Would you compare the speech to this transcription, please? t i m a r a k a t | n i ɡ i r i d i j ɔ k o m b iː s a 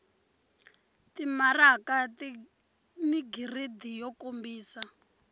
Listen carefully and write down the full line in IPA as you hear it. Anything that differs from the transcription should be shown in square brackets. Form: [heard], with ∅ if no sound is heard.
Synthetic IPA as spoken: t i m a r a k a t | n i ɡ i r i d i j ɔ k o m b iː s a